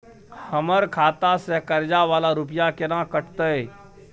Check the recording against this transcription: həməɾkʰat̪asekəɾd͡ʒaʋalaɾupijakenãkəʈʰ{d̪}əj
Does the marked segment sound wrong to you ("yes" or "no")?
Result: yes